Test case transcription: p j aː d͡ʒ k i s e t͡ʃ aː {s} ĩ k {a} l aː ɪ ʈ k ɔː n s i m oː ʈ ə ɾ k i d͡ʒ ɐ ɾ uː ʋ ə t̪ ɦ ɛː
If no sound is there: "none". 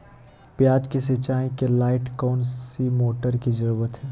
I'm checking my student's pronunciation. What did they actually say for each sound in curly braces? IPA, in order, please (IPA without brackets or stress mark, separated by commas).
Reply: none, e